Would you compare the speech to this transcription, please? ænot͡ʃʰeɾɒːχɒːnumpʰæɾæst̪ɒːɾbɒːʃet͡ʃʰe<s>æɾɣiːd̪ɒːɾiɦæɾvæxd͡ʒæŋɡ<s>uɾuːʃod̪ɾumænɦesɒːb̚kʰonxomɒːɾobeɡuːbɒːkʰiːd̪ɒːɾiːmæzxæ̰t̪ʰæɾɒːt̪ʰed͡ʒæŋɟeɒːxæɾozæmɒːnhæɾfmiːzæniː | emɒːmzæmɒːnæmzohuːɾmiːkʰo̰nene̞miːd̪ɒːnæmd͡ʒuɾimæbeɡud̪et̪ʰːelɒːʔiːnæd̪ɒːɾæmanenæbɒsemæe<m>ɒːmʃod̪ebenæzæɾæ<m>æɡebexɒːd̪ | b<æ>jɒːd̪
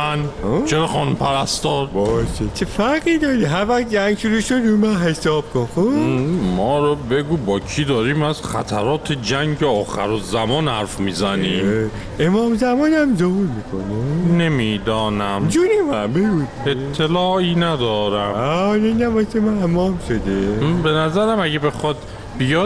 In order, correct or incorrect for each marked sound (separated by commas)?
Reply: incorrect, incorrect, correct, correct, incorrect